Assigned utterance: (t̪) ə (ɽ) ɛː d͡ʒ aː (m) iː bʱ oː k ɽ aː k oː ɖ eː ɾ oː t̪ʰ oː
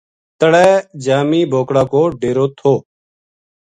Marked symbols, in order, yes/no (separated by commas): yes, yes, yes